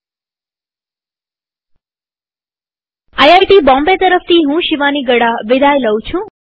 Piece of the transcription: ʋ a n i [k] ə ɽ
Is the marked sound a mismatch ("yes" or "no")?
yes